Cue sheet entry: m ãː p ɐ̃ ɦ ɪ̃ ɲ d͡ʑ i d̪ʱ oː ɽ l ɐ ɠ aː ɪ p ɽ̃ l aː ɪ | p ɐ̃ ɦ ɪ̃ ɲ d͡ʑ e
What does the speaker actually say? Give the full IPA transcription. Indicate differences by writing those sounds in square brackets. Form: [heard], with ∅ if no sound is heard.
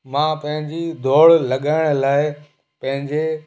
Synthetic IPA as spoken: m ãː p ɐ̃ ɦ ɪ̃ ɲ d͡ʑ i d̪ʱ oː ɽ l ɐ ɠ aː ɪ [∅] ɽ̃ l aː ɪ | p ɐ̃ ɦ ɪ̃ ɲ d͡ʑ e